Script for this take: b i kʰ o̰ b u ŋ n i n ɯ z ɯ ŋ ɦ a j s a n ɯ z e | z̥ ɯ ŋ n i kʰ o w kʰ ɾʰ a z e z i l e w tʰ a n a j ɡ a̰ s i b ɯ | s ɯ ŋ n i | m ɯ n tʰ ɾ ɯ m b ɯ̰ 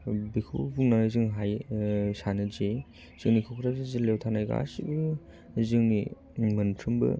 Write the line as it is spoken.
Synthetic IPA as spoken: b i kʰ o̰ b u ŋ n a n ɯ z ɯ ŋ ɦ a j s a n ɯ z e | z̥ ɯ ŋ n i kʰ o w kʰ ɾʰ a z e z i l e w tʰ a n a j ɡ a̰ s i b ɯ | z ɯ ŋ n i | m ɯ n tʰ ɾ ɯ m b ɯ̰